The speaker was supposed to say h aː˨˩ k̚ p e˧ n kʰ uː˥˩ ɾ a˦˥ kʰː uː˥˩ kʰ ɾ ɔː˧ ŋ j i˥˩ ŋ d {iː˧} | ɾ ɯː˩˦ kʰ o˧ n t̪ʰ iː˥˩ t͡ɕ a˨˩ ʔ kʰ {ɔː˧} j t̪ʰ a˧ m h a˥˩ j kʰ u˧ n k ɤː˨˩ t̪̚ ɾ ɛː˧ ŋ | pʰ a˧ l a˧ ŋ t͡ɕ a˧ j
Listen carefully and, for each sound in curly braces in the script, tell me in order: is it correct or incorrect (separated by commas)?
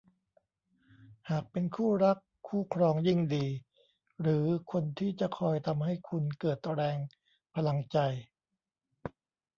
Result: correct, correct